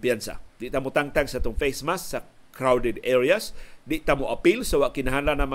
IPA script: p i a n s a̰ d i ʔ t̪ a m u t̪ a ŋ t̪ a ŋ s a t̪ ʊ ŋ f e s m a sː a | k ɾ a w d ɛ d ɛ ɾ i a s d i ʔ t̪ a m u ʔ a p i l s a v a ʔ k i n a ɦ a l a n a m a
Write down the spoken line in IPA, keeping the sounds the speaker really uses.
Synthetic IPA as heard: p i a n s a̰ d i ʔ t̪ a m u t̪ a ŋ t̪ a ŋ s a t̪ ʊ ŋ f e s m a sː a | k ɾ a w d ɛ d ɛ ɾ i a s d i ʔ t̪ a m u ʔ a p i l s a w a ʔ k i n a ɦ a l a n a m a